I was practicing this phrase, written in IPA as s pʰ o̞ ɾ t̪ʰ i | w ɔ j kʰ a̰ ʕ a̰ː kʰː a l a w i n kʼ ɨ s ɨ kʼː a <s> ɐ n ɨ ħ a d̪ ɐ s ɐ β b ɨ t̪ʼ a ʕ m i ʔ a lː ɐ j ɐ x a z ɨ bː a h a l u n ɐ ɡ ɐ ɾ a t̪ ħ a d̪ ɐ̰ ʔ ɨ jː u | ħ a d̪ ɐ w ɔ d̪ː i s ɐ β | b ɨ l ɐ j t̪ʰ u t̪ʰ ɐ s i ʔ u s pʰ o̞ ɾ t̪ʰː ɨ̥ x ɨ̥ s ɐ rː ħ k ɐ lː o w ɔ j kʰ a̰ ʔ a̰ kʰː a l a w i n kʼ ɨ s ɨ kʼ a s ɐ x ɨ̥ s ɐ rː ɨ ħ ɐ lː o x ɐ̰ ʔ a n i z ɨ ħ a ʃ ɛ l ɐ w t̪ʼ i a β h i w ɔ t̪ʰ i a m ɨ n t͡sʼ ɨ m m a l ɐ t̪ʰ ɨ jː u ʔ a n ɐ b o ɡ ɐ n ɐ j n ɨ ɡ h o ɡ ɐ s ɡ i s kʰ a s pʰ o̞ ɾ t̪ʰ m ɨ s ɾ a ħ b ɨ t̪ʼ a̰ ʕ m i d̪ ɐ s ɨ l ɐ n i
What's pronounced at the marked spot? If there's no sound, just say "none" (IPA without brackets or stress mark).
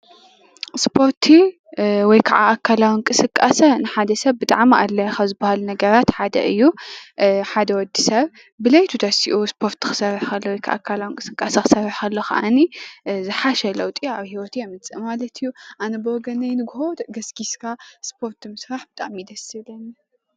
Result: s